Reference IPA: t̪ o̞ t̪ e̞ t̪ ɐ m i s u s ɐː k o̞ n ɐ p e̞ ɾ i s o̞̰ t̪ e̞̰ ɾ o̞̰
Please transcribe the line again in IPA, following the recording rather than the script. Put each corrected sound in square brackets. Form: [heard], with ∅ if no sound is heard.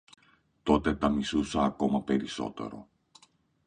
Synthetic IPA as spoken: t̪ o̞ t̪ e̞ t̪ ɐ m i s u s ɐː k o̞ [m] ɐ p e̞ ɾ i s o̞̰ t̪ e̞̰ ɾ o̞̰